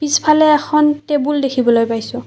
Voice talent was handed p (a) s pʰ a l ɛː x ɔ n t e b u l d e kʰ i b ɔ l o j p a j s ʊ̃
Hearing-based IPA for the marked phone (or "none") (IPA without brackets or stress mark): i